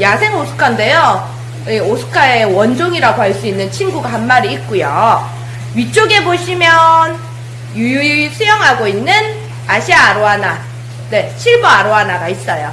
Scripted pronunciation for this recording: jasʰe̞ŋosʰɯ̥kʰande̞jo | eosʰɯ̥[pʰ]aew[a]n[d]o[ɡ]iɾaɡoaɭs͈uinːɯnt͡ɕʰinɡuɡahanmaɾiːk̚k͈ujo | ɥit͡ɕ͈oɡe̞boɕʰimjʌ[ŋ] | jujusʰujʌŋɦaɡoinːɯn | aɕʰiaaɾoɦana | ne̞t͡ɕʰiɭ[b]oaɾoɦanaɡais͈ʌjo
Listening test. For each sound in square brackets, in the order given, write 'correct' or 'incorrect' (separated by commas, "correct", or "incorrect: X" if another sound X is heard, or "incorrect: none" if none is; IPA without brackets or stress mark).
incorrect: kʰ, incorrect: ʌ, incorrect: d͡ʑ, incorrect: ŋ, incorrect: n, correct